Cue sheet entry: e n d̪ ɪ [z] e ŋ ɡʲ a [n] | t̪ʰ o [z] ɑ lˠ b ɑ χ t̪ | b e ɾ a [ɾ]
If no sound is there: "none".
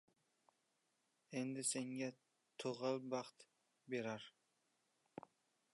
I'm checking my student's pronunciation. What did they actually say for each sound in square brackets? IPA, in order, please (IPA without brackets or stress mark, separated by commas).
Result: s, none, ʁ, ɾ